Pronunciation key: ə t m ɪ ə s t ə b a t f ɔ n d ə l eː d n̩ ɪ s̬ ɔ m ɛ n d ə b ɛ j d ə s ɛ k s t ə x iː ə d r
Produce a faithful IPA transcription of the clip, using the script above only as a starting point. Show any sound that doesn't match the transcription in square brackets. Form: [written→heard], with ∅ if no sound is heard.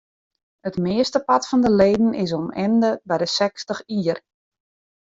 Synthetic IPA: ə t m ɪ ə s t ə [b→p] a t f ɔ n d ə l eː d n̩ ɪ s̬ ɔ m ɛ n d ə b ɛ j d ə s ɛ k s t ə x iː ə [d→∅] r